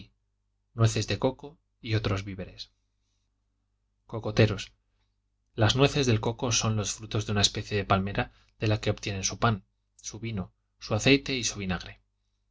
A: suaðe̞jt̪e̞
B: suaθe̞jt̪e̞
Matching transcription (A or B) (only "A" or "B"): B